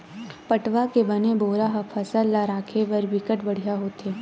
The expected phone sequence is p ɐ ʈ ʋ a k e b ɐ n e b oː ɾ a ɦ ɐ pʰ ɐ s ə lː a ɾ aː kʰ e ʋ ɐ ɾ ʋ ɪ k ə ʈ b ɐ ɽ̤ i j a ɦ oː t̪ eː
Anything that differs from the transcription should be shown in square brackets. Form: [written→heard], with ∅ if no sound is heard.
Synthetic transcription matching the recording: p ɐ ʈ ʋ a k e b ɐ n e b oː ɾ a ɦ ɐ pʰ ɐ s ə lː a ɾ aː kʰ e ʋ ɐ ɾ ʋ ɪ k ə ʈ b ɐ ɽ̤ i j a ɦ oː t̪ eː